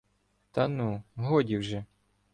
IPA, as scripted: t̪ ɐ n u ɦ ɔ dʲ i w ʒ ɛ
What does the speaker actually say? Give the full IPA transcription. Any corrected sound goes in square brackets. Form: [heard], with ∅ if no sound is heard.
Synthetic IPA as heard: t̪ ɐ n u ɦ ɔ dʲ i w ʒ ɛ